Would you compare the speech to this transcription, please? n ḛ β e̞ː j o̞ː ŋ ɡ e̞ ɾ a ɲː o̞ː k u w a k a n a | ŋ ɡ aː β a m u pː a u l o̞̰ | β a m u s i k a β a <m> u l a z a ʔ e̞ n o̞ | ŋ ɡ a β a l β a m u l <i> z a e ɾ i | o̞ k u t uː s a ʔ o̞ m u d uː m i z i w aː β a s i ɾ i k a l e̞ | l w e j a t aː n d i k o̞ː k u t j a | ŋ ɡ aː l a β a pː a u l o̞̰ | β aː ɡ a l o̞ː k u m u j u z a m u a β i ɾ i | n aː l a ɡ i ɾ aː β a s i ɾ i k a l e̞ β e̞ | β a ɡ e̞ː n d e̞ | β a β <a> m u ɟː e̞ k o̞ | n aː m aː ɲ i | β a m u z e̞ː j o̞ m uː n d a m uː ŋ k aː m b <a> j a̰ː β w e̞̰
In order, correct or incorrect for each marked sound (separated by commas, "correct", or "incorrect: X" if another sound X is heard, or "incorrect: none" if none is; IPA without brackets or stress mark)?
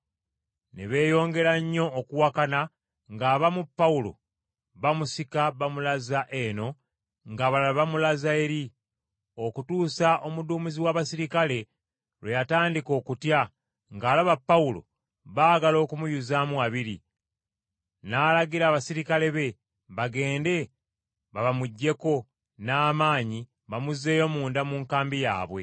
correct, incorrect: a, correct, incorrect: i